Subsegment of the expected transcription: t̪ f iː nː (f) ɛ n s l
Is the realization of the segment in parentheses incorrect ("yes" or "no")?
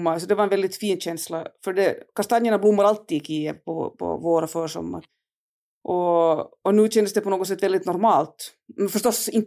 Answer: yes